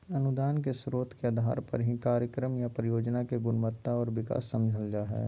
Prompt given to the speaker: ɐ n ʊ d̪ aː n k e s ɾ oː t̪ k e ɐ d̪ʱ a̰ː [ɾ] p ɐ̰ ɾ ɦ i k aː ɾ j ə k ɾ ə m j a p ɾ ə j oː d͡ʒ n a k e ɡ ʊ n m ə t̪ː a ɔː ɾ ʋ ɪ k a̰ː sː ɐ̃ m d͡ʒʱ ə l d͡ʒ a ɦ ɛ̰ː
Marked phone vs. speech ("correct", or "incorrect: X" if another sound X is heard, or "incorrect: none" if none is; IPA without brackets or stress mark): correct